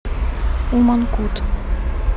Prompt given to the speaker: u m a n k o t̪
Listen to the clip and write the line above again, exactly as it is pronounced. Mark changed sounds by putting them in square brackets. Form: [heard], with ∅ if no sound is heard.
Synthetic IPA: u m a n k [u] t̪